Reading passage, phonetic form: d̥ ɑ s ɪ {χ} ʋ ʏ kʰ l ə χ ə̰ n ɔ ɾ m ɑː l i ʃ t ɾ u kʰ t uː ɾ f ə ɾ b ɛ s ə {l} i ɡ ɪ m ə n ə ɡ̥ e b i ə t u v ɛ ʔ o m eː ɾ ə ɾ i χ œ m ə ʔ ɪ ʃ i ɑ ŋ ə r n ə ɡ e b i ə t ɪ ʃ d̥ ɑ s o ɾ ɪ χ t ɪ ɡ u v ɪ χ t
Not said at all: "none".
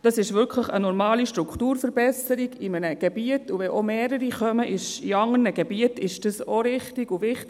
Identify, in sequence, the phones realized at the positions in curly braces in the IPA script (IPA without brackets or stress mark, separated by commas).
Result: ʃ, ɾ